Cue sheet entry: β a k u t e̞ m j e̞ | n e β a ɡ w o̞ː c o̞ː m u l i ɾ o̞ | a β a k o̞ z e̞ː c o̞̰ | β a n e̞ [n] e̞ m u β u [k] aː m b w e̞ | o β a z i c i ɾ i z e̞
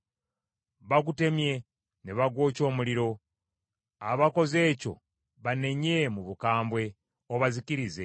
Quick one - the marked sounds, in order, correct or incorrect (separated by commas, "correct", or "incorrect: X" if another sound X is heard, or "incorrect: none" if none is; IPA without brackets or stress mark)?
incorrect: ɲ, correct